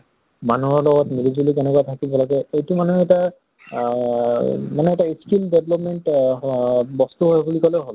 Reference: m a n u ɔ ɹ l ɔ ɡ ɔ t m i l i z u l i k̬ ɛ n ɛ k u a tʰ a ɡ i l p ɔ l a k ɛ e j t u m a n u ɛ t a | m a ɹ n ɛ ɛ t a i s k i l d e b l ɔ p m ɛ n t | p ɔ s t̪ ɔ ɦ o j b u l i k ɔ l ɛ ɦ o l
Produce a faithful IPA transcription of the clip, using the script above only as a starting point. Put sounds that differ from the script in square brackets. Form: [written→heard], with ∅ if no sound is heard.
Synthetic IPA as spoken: m a n u ɔ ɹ l ɔ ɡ ɔ t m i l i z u l i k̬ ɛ n ɛ k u a tʰ a [ɡ→k] i l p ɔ l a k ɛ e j t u m a n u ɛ t a | m a [ɹ→∅] n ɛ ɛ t a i s k i l d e b l ɔ p m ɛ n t | [p→b] ɔ s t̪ [ɔ→u] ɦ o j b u l i k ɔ l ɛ ɦ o l